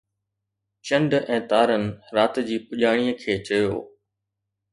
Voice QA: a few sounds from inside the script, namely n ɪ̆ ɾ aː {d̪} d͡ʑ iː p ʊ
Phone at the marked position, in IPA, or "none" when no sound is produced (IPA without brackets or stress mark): t̪